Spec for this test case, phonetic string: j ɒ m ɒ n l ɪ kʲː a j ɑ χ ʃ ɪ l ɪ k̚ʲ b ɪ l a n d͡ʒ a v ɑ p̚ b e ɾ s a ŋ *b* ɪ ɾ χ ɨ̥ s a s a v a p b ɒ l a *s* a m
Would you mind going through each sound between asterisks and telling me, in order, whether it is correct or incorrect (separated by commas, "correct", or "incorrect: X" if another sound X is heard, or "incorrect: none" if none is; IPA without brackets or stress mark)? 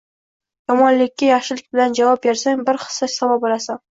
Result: correct, correct